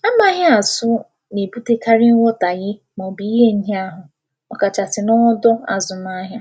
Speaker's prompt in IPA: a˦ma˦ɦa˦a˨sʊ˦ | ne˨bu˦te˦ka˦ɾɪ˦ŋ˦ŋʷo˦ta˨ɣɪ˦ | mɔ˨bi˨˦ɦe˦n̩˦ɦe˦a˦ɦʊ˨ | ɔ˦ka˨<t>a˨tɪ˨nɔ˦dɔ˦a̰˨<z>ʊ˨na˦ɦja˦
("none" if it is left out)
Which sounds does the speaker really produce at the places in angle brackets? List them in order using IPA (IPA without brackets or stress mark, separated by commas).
t͡ʃ, z